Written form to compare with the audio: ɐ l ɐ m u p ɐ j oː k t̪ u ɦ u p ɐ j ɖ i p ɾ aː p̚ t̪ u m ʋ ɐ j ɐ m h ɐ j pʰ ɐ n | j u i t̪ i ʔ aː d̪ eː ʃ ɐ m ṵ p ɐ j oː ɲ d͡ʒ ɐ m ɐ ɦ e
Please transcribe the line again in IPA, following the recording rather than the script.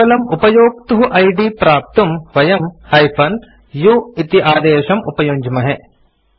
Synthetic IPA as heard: ɐ l ɐ m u p ɐ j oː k t̪ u ɦ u ʔ ɐ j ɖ i p ɾ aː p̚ t̪ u m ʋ ɐ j ɐ m h ɐ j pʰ ɐ n | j u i t̪ i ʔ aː d̪ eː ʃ ɐ m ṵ p ɐ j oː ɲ d͡ʒ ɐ m ɐ ɦ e